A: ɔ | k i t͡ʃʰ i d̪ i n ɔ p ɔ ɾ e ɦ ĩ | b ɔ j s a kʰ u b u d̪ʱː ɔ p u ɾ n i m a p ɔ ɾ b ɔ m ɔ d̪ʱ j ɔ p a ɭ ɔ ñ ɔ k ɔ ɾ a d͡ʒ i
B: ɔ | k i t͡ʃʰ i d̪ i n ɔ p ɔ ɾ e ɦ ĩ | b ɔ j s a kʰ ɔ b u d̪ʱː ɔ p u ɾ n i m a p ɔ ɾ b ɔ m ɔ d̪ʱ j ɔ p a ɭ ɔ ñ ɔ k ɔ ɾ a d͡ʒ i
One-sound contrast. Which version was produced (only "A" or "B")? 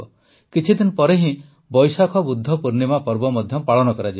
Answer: B